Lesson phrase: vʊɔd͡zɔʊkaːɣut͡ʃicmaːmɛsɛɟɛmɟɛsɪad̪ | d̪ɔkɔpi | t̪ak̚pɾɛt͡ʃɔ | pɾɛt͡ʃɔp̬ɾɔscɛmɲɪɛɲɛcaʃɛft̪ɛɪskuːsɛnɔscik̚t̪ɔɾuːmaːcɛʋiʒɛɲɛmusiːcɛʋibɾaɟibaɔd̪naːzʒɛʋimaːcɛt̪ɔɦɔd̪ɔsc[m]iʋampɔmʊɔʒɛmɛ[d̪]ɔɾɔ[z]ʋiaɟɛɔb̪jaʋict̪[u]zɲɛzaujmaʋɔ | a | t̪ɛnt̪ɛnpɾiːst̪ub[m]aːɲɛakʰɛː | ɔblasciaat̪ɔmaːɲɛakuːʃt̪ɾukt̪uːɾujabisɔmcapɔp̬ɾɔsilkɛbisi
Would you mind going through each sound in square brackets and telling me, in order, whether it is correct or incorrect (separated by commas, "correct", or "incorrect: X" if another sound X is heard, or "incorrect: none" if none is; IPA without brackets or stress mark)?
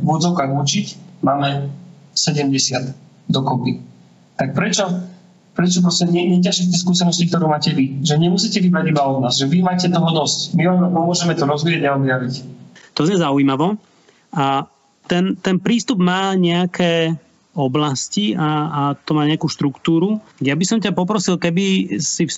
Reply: correct, incorrect: t̪, correct, incorrect: ɔ, correct